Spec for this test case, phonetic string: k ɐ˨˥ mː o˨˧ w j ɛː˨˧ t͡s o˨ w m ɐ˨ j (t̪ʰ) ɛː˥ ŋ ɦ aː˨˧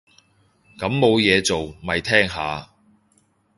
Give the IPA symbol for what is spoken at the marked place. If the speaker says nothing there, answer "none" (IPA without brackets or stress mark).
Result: t̪ʰ